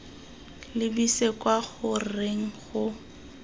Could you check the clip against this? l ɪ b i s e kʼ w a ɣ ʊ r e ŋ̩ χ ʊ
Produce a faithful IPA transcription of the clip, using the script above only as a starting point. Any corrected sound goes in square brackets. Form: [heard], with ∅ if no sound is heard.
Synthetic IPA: l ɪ b i s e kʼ w a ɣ ʊ r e ŋ̩ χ ʊ